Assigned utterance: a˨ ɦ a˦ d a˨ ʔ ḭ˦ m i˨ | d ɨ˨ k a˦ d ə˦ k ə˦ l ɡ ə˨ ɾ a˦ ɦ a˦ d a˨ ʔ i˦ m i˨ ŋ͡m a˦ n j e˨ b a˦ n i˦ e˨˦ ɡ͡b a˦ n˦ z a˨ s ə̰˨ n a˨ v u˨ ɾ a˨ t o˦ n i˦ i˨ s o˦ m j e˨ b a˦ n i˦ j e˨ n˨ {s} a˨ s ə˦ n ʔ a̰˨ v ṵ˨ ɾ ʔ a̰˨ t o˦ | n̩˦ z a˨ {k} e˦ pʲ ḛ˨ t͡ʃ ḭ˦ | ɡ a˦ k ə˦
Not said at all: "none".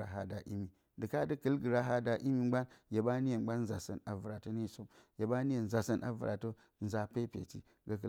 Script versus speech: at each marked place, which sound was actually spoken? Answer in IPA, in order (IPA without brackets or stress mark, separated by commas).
z, p